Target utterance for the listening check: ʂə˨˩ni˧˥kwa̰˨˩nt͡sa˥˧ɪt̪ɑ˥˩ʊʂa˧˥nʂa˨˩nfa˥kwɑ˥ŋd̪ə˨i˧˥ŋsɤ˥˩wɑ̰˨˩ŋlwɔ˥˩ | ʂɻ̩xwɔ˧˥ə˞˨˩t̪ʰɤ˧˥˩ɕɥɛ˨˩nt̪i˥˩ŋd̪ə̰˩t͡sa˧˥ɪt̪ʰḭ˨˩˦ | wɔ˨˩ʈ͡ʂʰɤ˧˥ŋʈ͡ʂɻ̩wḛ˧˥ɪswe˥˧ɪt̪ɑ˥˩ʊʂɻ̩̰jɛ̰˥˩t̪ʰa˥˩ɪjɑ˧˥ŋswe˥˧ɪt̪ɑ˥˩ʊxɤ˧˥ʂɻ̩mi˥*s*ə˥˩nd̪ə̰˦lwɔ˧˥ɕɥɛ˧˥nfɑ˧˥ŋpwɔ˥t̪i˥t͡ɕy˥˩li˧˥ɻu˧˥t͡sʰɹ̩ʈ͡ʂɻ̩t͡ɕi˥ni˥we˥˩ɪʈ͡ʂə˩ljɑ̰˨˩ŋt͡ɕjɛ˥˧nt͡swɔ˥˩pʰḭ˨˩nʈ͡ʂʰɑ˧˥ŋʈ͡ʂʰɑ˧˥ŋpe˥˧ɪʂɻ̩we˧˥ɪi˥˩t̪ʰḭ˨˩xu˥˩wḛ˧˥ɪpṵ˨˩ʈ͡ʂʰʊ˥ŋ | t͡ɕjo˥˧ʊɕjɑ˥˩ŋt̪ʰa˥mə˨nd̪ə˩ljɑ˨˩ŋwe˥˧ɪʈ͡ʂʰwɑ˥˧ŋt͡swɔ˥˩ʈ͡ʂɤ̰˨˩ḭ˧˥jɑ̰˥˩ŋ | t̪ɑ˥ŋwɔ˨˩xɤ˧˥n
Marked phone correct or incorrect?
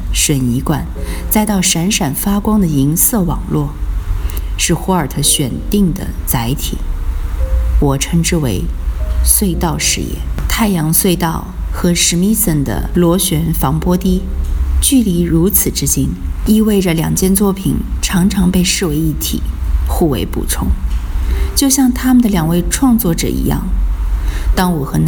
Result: correct